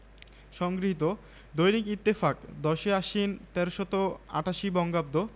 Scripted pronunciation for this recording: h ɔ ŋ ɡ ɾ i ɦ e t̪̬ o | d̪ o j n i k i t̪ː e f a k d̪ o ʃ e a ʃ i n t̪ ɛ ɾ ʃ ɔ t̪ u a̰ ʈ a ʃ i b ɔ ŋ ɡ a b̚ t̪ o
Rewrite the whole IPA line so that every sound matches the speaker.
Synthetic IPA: ʃ ɔ ŋ ɡ ɾ i ɦ i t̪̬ o | d̪ o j n i k i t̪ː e f a k d̪ ɔ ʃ e a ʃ i n t̪ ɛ ɾ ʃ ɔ t̪ o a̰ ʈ a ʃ i b ɔ ŋ ɡ a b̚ d̪ o